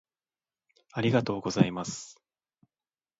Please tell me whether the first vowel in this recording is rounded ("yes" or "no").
no